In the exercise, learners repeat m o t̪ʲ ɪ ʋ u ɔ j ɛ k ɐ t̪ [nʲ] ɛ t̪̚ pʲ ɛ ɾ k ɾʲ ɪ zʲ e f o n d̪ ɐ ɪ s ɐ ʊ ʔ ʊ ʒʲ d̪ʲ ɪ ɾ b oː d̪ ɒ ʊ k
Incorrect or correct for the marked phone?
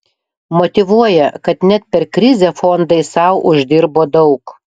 correct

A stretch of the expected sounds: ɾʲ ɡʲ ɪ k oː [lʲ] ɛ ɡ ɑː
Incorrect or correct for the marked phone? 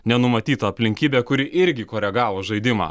incorrect: ɾʲ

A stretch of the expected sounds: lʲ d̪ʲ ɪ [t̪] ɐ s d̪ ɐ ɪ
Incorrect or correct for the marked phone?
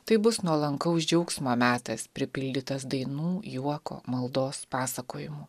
correct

